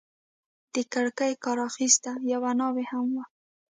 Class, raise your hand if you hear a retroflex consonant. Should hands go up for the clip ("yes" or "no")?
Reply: yes